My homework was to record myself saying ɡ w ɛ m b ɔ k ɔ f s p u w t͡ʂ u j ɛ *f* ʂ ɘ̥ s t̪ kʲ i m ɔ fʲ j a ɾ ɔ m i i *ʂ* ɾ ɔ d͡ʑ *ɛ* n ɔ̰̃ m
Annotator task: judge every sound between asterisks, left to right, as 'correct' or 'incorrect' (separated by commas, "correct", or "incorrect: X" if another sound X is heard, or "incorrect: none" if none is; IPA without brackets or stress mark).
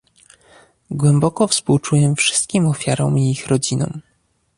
correct, incorrect: x, incorrect: i